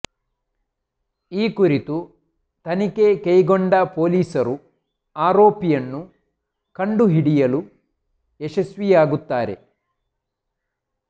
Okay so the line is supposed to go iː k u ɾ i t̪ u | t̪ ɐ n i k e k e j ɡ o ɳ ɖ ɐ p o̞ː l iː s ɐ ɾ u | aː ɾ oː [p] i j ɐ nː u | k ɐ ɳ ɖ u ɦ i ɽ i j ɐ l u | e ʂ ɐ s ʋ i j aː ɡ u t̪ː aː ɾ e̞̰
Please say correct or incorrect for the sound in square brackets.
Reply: correct